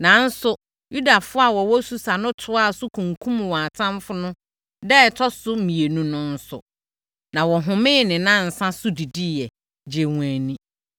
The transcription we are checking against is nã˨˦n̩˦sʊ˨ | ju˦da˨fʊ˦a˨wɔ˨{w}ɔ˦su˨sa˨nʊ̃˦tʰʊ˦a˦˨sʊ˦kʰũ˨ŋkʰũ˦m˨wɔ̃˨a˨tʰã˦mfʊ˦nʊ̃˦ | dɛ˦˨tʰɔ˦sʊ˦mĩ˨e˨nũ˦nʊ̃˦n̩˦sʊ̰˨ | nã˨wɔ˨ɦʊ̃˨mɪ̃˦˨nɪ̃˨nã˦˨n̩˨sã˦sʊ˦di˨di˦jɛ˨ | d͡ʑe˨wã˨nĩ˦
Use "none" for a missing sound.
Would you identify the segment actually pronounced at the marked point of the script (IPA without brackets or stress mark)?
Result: w